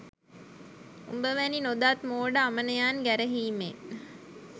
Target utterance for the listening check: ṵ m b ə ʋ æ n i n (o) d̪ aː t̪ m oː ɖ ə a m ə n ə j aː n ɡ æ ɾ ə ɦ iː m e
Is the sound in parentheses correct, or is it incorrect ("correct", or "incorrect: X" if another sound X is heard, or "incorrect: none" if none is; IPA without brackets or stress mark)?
correct